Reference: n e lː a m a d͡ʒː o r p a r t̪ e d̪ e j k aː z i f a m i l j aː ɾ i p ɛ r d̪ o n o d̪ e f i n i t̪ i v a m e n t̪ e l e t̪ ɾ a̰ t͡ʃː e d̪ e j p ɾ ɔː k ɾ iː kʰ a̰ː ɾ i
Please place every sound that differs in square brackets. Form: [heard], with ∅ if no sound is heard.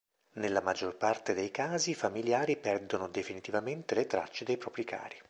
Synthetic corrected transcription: n e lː a m a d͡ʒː o r p a r t̪ e d̪ e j k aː z i f a m i l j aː ɾ i p ɛ r d̪ o n o d̪ e f i n i t̪ i v a m e n t̪ e l e t̪ ɾ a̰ t͡ʃː e d̪ e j p ɾ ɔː [p] ɾ [i] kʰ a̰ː ɾ i

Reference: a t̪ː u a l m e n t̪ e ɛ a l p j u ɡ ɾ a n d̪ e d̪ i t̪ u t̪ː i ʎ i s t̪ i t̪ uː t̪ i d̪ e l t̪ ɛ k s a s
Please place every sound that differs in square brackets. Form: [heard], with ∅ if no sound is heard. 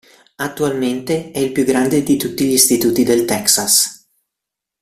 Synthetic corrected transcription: a t̪ː u a l m e n t̪ e ɛ [i] l p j u ɡ ɾ a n d̪ e d̪ i t̪ u t̪ː i ʎ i s t̪ i t̪ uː t̪ i d̪ e l t̪ ɛ k s a s

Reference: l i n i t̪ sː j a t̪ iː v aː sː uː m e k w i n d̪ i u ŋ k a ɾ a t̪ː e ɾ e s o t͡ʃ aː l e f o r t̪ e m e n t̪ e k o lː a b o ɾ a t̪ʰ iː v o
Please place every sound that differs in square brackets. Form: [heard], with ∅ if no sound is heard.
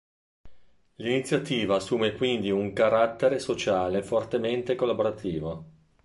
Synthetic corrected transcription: l i n i t̪ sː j a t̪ iː v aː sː uː m e k w i n d̪ i u ŋ k a ɾ a t̪ː e ɾ e s o t͡ʃ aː l e f o r t̪ e m e n t̪ e k o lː a b o ɾ a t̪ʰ iː v o

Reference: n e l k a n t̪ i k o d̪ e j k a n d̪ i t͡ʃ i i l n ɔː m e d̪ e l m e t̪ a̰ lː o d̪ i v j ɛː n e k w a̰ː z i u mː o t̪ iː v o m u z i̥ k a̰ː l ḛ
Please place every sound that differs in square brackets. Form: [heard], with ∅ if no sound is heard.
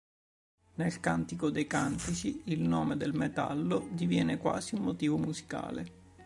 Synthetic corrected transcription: n e l k a n t̪ i k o d̪ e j k a n [t̪] i t͡ʃ i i l n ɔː m e d̪ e l m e t̪ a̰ lː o d̪ i v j ɛː n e k w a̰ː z i u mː o t̪ iː v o m u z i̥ k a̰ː l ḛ

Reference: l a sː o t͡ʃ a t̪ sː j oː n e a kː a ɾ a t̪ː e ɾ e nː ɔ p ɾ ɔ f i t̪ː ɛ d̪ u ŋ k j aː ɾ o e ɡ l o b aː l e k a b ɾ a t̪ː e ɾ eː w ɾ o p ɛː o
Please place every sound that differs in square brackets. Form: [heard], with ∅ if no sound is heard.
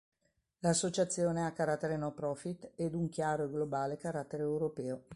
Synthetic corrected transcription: l a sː o t͡ʃ a t̪ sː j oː n e a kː a ɾ a t̪ː e ɾ e [n] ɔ p ɾ ɔ f i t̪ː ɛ d̪ u ŋ k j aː ɾ o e ɡ l o b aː l e k a [∅] ɾ a t̪ː e ɾ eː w ɾ o p ɛː o

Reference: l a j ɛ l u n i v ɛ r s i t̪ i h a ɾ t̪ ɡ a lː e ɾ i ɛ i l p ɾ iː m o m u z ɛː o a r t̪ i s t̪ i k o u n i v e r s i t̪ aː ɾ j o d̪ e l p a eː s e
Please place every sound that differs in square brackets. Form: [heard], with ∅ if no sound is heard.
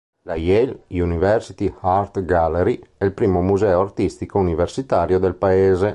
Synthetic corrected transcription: l a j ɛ l u n i v ɛ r s i t̪ i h a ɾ t̪ ɡ a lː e ɾ i ɛ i l p ɾ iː m o m u z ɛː o a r t̪ i s t̪ i k o u n i v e r s i t̪ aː ɾ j o d̪ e l p a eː [z] e

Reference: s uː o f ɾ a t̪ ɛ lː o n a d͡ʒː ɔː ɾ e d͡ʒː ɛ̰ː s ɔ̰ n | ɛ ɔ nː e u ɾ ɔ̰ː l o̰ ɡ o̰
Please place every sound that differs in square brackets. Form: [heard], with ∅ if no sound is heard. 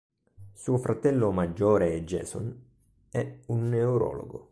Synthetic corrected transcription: s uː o f ɾ a t̪ ɛ lː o [m] a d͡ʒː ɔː ɾ e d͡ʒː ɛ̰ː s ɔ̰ n | ɛ [u] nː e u ɾ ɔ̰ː l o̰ ɡ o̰

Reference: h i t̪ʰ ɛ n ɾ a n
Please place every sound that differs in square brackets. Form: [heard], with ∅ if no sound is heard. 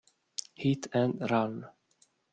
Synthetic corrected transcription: h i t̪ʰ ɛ n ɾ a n

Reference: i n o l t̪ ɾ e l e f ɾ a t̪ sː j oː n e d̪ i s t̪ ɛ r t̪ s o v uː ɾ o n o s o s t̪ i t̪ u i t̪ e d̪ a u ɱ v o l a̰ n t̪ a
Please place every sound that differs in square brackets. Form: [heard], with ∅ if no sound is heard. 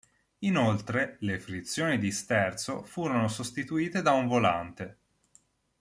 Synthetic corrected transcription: i n o l t̪ ɾ e l e f ɾ [i] t̪ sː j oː n [i] d̪ i s t̪ ɛ r t̪ s o [f] uː ɾ o n o s o s t̪ i t̪ u [iː] t̪ e d̪ a u ɱ v o l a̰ n t̪ [e]

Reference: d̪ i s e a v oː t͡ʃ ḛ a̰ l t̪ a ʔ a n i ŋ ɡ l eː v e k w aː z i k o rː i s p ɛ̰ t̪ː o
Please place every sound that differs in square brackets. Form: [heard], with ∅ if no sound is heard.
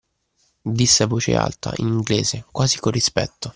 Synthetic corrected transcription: d̪ i [sː] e a v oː t͡ʃ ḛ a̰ l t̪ a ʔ [i] n i ŋ ɡ l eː [z] e k w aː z i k o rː i s p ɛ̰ t̪ː o

